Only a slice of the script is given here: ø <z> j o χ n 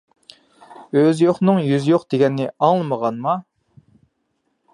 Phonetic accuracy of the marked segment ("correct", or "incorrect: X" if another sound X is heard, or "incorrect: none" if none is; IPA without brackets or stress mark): correct